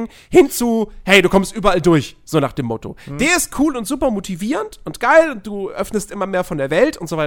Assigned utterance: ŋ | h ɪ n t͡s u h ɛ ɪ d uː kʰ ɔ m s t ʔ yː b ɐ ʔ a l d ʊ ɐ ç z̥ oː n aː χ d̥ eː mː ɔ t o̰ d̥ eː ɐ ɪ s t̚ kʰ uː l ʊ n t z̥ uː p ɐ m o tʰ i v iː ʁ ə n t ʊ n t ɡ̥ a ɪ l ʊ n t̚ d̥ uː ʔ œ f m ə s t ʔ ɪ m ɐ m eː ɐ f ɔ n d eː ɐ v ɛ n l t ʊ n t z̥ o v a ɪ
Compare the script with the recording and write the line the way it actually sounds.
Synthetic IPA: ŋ | h ɪ n t͡s u h ɛ ɪ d uː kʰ ɔ m s t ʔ yː b ɐ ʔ a l d ʊ ɐ ç z̥ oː n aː χ d̥ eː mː ɔ t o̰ d̥ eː ɐ ɪ s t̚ kʰ uː l ʊ n t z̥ uː p ɐ m o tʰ i v iː ʁ ə n t ʊ n t ɡ̥ a ɪ l ʊ n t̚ d̥ uː ʔ œ f n ə s t ʔ ɪ m ɐ m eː ɐ f ɔ n d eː ɐ v ɛ l t ʊ n t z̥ o v a ɪ